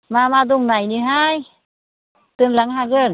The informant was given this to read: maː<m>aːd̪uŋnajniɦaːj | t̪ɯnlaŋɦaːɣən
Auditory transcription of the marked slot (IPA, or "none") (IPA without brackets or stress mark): m